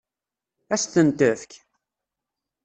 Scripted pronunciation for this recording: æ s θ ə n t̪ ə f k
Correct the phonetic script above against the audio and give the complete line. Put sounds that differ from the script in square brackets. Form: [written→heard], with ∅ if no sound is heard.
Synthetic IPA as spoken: æ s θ ə n t̪ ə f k